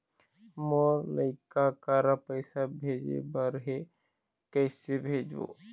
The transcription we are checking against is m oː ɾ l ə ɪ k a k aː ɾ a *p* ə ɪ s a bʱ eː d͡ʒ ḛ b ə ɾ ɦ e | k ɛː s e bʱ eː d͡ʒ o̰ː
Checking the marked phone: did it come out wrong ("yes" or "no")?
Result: no